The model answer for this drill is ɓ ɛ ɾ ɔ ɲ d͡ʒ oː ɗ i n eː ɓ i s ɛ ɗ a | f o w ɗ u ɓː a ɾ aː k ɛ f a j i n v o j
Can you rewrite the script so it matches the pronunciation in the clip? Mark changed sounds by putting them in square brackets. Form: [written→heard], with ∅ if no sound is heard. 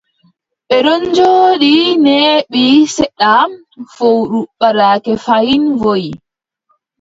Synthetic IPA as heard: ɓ ɛ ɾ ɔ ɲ d͡ʒ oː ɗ i n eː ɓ i s ɛ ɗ a | f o w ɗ u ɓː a ɾ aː k ɛ f a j i n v o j